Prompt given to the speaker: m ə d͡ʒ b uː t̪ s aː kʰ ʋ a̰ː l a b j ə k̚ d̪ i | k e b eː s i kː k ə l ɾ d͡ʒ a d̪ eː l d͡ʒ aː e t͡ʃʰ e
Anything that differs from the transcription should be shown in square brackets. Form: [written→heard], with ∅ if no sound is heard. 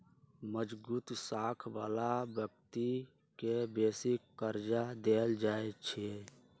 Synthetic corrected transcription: m ə d͡ʒ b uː t̪ s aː kʰ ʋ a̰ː l a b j ə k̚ [d̪→t̪] i | k e b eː s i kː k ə [l→∅] ɾ d͡ʒ a d̪ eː l d͡ʒ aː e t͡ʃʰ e

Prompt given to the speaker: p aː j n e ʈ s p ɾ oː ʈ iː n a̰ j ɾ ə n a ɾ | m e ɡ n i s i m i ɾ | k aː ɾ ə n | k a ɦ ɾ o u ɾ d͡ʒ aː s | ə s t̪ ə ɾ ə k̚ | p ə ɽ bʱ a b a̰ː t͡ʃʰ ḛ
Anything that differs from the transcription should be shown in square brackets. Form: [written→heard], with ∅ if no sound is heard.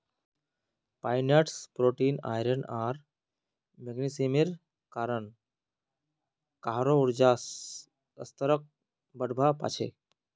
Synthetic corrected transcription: p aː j n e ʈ s p ɾ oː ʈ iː n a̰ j ɾ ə n a ɾ | m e ɡ n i s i m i ɾ | k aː ɾ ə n | k a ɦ ɾ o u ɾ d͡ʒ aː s | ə s t̪ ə ɾ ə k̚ | [p→b] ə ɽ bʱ a [b→p] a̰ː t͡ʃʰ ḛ

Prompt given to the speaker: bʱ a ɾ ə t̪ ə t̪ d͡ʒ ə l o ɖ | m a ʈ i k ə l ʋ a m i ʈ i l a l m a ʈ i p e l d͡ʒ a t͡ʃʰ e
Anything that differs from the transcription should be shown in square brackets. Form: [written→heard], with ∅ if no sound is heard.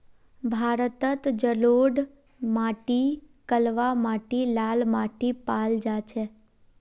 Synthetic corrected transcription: bʱ a ɾ ə t̪ ə t̪ d͡ʒ ə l o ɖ | m a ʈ i k ə l ʋ a m [i→a] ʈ i l a l m a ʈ i p [e→a] l d͡ʒ a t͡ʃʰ e

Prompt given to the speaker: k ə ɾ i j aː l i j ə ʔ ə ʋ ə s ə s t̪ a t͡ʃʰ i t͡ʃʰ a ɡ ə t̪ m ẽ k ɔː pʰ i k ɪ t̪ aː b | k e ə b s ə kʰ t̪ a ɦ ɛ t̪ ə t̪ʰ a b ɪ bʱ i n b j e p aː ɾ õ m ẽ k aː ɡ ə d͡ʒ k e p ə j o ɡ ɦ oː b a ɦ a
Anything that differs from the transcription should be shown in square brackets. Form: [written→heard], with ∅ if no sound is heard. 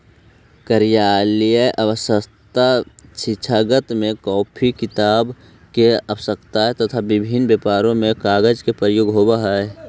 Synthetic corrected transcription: k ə ɾ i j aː l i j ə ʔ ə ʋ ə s ə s t̪ a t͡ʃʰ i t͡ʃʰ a ɡ ə t̪ m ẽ k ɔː pʰ i k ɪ t̪ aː b | k e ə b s ə [kʰ→k] t̪ a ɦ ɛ t̪ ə t̪ʰ a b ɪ bʱ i n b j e p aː ɾ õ m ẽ k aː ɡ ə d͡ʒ k e p ə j o ɡ ɦ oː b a ɦ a

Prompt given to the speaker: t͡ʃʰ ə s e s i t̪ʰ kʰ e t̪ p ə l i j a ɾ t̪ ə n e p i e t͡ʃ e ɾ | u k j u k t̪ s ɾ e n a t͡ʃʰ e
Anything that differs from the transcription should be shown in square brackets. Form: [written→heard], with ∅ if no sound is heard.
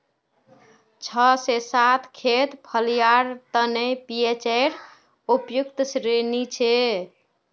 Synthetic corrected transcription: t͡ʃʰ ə s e s [i→a] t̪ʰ kʰ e t̪ [p→pʰ] ə l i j a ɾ t̪ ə n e p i e t͡ʃ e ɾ | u [k→p] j u k t̪ s ɾ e n [a→i] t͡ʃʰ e

